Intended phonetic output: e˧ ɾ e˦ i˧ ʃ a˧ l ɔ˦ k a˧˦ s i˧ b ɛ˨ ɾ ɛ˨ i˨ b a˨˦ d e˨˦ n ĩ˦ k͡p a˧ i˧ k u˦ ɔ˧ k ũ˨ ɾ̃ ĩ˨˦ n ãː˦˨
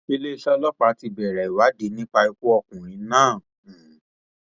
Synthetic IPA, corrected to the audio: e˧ l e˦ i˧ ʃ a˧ l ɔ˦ k͡p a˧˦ t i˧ b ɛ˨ ɾ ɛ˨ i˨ w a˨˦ d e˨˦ n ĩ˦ k͡p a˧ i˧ k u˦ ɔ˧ k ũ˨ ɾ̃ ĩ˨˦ n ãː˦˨